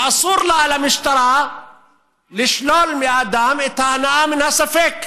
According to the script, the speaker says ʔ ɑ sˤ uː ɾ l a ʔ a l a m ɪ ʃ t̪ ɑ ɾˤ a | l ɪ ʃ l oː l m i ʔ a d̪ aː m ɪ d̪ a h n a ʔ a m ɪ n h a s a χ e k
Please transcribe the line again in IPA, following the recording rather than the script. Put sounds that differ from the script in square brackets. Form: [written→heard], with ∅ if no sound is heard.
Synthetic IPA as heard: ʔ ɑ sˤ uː ɾ l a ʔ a l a m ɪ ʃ t̪ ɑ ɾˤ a | l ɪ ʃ l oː l m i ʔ a d̪ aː m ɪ [d̪→t̪] a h n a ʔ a m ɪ n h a s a [χ→f] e k